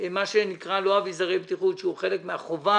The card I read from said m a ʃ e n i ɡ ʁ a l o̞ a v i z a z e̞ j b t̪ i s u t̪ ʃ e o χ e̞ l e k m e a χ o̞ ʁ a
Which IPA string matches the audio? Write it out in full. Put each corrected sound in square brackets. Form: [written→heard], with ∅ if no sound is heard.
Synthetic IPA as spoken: m a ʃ e n i [ɡ→k] ʁ a l o̞ a v i z a [z→ʁ] e̞ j b t̪ i [s→χ] u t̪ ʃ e [o→u] χ e̞ l e k m e a χ o̞ [ʁ→v] a